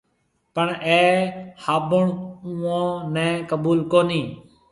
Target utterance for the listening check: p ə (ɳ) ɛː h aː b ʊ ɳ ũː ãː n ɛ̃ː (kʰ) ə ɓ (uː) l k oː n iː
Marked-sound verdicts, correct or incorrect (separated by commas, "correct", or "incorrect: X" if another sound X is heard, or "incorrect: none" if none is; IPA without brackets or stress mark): correct, incorrect: k, correct